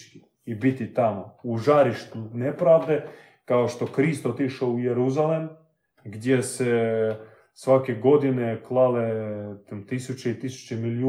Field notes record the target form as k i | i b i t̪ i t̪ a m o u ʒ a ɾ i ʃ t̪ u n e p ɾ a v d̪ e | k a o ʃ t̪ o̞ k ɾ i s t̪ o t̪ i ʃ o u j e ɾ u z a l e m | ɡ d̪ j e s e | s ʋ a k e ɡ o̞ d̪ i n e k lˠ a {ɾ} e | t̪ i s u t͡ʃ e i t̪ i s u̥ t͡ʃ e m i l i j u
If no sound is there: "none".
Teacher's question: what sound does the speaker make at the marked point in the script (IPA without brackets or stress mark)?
l